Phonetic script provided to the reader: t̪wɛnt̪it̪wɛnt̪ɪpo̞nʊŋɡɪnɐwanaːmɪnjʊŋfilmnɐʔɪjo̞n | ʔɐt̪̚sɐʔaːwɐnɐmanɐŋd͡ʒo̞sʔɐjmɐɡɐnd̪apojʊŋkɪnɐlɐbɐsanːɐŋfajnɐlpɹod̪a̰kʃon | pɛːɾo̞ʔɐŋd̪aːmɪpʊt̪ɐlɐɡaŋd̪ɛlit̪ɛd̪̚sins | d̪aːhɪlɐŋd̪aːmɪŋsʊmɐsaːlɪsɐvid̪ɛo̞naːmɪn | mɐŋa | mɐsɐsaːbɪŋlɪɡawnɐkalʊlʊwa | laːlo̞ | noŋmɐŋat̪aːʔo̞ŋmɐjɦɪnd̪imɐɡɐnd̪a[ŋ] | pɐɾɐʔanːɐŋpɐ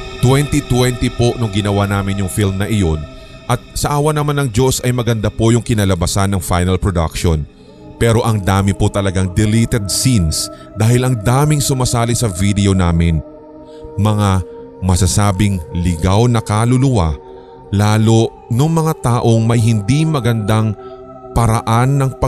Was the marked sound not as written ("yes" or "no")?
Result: no